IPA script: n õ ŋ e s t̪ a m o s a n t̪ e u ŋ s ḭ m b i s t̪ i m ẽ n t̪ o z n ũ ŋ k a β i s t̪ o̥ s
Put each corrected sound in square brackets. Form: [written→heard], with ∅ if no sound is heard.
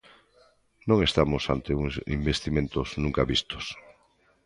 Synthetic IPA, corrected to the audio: n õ ŋ e s t̪ a m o s a n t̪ e u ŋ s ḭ m b [i→e] s t̪ i m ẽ n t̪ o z n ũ ŋ k a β i s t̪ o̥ s